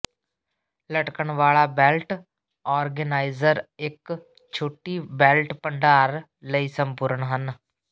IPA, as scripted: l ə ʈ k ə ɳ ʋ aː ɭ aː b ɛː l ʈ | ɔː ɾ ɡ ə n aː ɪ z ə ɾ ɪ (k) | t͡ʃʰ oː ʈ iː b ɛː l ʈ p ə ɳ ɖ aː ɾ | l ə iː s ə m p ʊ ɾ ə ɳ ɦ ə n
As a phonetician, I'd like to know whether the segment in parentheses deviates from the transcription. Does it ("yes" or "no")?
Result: no